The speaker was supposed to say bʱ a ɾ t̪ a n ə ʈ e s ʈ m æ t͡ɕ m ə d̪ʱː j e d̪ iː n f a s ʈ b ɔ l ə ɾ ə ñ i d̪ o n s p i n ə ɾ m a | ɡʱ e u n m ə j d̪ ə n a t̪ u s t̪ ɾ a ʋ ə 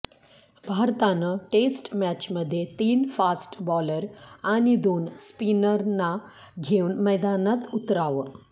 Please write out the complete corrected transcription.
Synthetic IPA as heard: bʱ a ɾ t̪ a n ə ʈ e s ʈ m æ t͡ɕ m ə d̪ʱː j e t̪ iː n f a s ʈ b ɔ l ə ɾ a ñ i d̪ o n s p i n ə ɾ n a | ɡʱ e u n m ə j d̪ a n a t̪ u t̪ ɾ a ʋ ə